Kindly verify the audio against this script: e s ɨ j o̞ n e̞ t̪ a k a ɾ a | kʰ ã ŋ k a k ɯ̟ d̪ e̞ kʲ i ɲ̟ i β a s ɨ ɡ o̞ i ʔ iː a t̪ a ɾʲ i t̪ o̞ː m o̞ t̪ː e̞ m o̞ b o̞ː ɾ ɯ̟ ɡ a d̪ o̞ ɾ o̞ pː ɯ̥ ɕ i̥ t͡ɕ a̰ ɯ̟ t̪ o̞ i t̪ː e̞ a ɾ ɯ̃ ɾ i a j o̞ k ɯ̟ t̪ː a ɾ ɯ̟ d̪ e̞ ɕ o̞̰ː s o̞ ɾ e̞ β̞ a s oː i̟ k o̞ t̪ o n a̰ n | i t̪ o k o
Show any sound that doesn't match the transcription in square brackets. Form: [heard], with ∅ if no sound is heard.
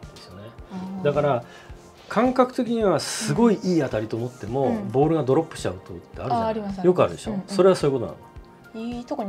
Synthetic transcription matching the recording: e s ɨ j o̞ n e̞ [d̪] a k a ɾ a | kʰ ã ŋ k a k ɯ̟ [t̪] e̞ kʲ i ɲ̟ i β a s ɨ ɡ o̞ i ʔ iː a t̪ a ɾʲ i t̪ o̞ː m o̞ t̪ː e̞ m o̞ b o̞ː ɾ ɯ̟ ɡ a d̪ o̞ ɾ o̞ pː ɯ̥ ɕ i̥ t͡ɕ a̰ ɯ̟ t̪ o̞ i t̪ː e̞ a ɾ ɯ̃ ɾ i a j o̞ k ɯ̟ [∅] a ɾ ɯ̟ d̪ e̞ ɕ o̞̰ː s o̞ ɾ e̞ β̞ a s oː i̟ k o̞ t̪ o n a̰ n | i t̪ o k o

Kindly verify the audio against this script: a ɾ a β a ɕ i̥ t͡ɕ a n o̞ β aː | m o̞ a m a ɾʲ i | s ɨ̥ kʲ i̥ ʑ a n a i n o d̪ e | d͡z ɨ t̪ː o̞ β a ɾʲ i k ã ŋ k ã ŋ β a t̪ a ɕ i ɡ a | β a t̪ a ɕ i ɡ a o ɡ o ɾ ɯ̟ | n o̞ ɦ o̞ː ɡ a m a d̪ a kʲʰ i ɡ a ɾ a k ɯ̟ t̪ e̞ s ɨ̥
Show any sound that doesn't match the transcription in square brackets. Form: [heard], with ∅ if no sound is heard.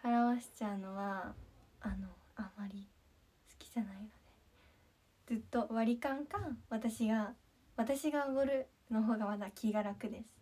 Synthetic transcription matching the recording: a ɾ a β a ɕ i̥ t͡ɕ a n o̞ β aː | [n] o̞ a m a ɾʲ i | s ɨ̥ kʲ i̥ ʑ a n a i n o d̪ e | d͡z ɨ t̪ː o̞ β a ɾʲ i k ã ŋ k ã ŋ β a t̪ a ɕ i ɡ a | β a t̪ a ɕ i ɡ a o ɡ o ɾ ɯ̟ | n o̞ ɦ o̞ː ɡ a m a d̪ a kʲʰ i ɡ a ɾ a k ɯ̟ [d̪] e̞ s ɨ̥

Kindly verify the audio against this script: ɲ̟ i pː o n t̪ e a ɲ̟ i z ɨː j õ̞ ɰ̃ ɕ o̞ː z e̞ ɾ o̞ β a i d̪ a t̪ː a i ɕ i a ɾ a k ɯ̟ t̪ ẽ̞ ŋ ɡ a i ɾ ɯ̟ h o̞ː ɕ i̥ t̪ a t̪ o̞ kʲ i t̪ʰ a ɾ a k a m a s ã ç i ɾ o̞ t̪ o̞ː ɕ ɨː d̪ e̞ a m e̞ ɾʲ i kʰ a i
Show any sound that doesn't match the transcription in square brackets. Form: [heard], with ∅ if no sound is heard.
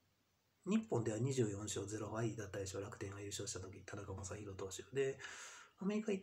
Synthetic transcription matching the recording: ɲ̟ i pː [õ] n [d̪] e a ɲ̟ i [ʑ] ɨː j õ̞ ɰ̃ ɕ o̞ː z e̞ ɾ o̞ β a i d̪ a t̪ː a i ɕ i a ɾ a k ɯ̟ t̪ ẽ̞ ŋ ɡ a i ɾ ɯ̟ [ɕ] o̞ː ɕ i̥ t̪ a t̪ o̞ kʲ i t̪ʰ a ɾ a k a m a s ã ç i ɾ o̞ t̪ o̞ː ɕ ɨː d̪ e̞ a m e̞ ɾʲ i [k] a i

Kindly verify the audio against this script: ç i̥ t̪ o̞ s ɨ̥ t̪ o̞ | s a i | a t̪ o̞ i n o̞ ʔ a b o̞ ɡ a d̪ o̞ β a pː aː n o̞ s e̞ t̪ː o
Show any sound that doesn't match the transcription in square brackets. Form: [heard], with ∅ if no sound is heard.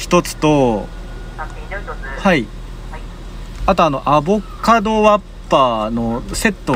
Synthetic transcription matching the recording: ç i̥ t̪ o̞ [t͡s] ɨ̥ t̪ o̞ | [h] a i | a t̪ o̞ [a] n o̞ ʔ a b o̞ [k] a d̪ o̞ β a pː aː n o̞ s e̞ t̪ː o

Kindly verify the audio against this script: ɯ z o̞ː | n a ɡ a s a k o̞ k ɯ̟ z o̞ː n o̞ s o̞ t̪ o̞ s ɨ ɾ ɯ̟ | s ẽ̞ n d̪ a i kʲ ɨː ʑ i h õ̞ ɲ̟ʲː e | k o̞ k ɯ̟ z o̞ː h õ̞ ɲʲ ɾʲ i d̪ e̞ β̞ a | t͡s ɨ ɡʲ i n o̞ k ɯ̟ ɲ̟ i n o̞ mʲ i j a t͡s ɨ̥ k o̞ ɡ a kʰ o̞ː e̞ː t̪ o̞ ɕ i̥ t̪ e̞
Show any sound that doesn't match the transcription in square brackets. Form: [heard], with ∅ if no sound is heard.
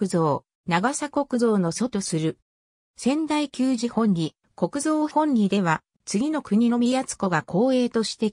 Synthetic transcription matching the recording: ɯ z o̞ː | n a ɡ a s a k o̞ k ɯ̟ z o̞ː n o̞ s o̞ t̪ o̞ s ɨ ɾ ɯ̟ | s ẽ̞ n d̪ a i kʲ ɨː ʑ i h õ̞ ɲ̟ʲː [i] | k o̞ k ɯ̟ z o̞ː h õ̞ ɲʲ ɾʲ i d̪ e̞ β̞ a | t͡s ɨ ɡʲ i n o̞ k ɯ̟ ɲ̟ i n o̞ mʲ i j a t͡s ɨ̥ k o̞ ɡ a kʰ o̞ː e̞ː t̪ o̞ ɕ i̥ t̪ e̞

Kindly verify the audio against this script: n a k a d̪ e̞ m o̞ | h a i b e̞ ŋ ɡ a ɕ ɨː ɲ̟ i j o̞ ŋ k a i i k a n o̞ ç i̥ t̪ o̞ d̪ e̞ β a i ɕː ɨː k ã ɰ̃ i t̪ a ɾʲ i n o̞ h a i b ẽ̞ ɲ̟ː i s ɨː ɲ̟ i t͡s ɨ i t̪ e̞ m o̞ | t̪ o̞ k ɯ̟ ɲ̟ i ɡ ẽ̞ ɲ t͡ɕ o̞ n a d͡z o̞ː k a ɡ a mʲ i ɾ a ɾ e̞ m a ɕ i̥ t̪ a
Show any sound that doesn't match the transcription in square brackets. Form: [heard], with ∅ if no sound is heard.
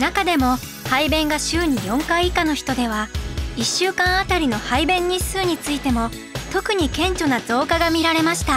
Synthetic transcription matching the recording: n a k a d̪ e̞ m o̞ | h a i b [ẽ̞] ŋ ɡ a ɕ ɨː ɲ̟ i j [õ̞] ŋ k a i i k a n o̞ ç i̥ t̪ o̞ d̪ e̞ β a i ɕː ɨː k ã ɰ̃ [a] t̪ a ɾʲ i n o̞ h a i b ẽ̞ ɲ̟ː i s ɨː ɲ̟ i t͡s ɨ i t̪ e̞ m o̞ | t̪ o̞ k ɯ̟ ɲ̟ i [k] ẽ̞ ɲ t͡ɕ o̞ n a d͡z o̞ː k a ɡ a mʲ i ɾ a ɾ e̞ m a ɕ i̥ t̪ a

